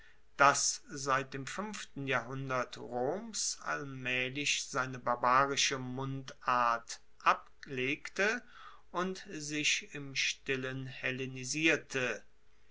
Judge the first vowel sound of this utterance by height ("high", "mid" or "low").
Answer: low